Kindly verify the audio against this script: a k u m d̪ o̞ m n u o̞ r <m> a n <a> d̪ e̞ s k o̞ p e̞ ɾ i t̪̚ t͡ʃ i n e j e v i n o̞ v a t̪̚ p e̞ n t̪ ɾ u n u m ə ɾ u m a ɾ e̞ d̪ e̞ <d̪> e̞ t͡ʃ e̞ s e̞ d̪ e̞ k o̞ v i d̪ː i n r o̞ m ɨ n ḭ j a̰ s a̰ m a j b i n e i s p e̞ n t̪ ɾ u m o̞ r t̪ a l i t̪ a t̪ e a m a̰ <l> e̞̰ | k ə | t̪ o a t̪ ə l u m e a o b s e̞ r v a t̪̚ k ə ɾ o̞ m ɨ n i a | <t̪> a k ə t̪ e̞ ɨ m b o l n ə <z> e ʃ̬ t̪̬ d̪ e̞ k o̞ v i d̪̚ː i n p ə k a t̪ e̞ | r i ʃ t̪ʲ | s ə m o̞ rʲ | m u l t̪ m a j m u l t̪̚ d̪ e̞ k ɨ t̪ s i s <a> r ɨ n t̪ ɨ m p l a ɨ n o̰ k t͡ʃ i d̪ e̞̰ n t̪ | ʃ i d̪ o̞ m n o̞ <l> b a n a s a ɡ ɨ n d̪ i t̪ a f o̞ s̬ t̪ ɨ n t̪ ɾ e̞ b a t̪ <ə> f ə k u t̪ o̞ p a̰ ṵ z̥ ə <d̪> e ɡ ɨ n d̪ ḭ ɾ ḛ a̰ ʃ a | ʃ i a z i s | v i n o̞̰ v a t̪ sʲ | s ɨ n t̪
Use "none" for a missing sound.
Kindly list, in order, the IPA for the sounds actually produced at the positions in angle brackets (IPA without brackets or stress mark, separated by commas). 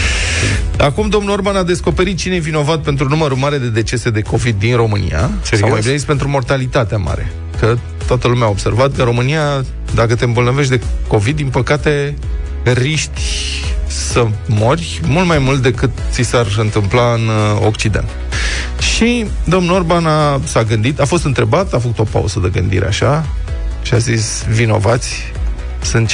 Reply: b, a, d̪, ɾ, d̪, v, a, r, a, d̪